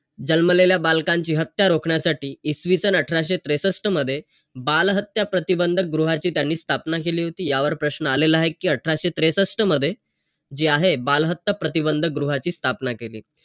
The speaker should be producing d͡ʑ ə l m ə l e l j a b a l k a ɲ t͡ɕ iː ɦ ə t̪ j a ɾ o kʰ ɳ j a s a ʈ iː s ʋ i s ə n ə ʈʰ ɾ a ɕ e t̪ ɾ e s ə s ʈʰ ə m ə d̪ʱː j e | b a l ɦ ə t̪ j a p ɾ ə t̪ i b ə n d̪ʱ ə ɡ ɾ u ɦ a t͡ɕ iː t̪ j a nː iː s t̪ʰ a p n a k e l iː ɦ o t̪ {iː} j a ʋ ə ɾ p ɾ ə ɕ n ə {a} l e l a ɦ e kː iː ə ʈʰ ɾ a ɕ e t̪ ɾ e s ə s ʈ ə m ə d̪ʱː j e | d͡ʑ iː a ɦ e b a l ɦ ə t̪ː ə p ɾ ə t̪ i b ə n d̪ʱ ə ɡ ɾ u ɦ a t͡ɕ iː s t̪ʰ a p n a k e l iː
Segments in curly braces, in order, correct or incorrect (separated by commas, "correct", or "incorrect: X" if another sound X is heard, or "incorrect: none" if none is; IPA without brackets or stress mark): correct, correct